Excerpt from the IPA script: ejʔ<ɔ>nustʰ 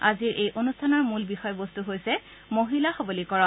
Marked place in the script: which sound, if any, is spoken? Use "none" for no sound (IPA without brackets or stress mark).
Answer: o